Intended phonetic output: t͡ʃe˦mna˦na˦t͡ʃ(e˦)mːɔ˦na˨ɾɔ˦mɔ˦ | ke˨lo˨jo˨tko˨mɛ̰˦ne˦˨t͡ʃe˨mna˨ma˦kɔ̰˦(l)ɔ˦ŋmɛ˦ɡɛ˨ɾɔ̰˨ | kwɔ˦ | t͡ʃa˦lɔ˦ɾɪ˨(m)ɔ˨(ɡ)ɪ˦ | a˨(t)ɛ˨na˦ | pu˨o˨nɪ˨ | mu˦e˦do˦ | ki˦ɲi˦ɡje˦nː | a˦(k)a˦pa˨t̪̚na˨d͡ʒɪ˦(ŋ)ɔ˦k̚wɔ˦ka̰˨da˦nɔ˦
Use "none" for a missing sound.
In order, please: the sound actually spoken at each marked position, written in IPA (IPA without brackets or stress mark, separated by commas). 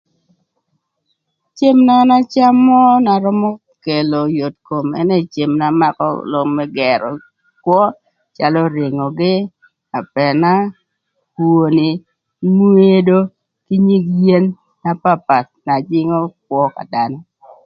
a˦, l, ŋ, ɡ, p, p, ŋ